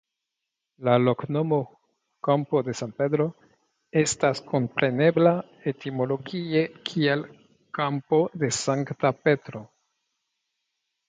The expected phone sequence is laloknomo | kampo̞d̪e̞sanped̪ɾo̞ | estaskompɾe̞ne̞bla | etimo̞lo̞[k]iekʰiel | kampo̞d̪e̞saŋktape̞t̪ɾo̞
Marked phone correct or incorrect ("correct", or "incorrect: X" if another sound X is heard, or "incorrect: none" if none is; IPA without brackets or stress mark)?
incorrect: ɡ